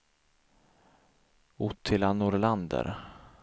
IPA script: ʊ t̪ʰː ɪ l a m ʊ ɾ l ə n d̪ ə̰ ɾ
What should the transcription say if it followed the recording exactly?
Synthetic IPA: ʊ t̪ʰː ɪ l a n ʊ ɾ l a n d̪ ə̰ ɾ